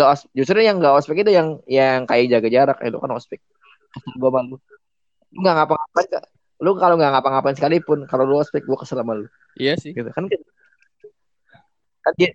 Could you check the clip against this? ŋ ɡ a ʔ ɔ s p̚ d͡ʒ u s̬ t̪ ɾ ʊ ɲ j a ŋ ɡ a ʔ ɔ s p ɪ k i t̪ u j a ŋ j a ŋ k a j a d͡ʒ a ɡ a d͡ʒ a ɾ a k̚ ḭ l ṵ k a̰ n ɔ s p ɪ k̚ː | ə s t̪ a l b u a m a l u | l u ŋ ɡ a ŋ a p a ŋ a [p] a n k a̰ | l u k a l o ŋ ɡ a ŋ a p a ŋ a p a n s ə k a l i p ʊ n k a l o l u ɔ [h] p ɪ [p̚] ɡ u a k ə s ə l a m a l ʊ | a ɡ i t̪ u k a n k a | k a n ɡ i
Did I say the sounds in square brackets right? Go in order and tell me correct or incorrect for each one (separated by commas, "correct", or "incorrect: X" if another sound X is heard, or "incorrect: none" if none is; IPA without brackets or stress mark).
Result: correct, incorrect: s, incorrect: k̚